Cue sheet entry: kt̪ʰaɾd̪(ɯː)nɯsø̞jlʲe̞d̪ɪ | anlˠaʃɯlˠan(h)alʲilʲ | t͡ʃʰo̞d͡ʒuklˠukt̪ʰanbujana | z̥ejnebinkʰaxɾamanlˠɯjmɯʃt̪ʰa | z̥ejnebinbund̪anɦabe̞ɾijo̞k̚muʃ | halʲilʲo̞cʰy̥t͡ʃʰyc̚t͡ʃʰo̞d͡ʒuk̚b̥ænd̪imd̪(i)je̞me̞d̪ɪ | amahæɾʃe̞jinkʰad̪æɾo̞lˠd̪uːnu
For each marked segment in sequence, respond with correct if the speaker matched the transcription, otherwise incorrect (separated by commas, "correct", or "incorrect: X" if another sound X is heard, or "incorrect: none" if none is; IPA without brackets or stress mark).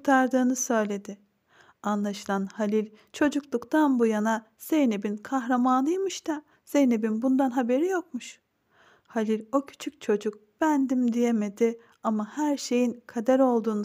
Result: correct, correct, correct